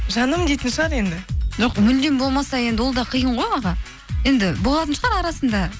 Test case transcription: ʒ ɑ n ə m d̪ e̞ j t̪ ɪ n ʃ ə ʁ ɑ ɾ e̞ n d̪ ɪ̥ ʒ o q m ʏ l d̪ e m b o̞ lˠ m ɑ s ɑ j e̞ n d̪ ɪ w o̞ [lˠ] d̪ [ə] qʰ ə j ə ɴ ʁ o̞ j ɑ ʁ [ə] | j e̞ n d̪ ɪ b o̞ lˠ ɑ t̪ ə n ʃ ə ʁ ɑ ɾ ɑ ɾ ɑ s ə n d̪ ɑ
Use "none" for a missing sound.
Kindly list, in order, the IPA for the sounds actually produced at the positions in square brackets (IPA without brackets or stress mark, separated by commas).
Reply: lˠ, ɑ, ɑ